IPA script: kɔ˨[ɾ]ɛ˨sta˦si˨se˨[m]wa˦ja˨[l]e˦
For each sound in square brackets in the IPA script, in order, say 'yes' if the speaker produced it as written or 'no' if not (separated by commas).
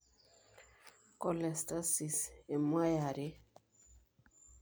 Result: no, yes, no